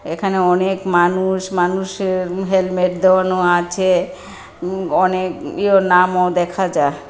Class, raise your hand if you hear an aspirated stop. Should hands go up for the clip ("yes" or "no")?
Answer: yes